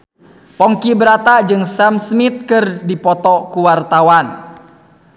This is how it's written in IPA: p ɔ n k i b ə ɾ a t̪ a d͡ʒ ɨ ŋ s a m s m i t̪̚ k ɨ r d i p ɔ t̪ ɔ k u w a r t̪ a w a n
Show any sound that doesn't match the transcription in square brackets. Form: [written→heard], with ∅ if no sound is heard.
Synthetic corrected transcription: p ɔ [n→ŋ] k i b ə ɾ a t̪ a d͡ʒ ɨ ŋ s a m s m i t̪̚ k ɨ r d i p ɔ t̪ ɔ k u w a r t̪ a w a n